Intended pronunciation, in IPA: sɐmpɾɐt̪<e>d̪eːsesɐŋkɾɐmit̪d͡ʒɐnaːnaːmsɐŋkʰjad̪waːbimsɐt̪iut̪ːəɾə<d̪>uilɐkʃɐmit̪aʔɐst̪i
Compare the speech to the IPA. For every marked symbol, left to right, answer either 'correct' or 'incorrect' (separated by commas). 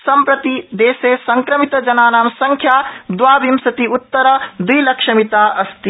incorrect, correct